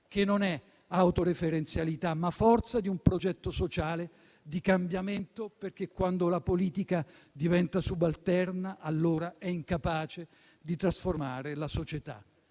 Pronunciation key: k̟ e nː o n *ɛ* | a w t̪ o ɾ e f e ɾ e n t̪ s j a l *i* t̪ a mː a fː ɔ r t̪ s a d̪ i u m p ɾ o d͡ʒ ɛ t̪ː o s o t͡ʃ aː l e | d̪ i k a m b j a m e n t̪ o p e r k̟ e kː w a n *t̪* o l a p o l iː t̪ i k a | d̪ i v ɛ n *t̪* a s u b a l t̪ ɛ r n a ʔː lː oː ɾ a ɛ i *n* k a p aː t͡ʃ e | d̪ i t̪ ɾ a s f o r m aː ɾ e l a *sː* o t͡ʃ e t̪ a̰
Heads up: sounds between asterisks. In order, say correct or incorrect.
correct, correct, incorrect, correct, incorrect, incorrect

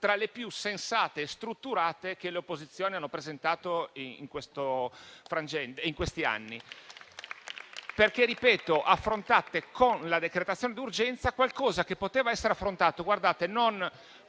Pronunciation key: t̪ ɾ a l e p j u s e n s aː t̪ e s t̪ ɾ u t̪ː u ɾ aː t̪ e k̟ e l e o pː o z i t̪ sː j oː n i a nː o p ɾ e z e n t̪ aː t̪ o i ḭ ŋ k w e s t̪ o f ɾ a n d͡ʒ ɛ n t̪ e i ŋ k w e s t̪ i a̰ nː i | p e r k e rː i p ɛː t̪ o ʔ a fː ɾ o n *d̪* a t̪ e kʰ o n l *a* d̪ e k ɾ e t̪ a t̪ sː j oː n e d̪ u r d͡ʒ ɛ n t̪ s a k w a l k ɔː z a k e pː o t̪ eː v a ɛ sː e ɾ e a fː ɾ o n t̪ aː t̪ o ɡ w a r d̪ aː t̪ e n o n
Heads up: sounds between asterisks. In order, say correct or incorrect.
incorrect, correct

